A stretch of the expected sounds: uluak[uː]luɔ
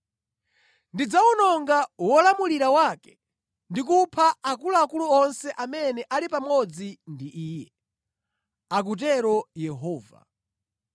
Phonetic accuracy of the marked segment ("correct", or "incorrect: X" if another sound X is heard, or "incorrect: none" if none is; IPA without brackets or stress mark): incorrect: u